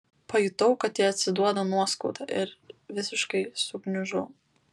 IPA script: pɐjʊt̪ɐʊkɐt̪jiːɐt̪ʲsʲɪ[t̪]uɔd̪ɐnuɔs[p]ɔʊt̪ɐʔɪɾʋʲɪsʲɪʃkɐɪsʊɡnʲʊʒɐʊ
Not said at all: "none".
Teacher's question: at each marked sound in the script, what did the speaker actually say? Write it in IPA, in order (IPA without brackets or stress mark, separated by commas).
d̪, k